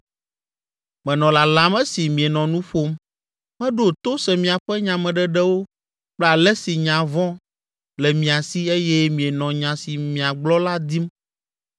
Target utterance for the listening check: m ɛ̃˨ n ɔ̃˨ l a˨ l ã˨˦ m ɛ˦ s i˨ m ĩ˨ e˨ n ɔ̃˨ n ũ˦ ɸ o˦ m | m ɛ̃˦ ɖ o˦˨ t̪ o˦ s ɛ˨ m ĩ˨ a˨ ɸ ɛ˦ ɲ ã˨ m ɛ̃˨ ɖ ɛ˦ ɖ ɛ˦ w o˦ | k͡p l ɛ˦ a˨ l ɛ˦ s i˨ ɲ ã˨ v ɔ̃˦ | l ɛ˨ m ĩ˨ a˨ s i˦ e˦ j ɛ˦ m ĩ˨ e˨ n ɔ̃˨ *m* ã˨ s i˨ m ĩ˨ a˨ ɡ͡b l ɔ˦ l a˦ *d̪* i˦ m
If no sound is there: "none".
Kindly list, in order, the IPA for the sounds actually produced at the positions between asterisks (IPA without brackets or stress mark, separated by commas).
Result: ɲ, d̪